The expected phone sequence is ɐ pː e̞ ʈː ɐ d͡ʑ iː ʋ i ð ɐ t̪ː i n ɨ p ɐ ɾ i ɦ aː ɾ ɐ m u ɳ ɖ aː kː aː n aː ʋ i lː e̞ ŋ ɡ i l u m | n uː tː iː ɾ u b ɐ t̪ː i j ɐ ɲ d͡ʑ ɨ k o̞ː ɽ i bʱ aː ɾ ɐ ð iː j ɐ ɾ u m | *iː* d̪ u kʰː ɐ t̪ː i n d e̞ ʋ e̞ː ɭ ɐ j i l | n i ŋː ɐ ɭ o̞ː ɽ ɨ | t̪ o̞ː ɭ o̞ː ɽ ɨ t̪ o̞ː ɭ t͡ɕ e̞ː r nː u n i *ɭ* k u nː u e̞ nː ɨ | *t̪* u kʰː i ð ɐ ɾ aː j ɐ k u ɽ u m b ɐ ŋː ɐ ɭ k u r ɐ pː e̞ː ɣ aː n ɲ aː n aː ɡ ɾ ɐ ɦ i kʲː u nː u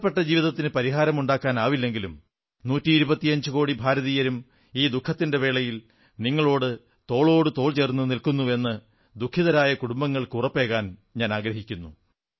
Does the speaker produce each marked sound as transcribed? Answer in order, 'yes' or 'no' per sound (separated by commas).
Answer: yes, no, no